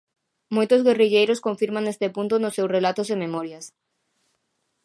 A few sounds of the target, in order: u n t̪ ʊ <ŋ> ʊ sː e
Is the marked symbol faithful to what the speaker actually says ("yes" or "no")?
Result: no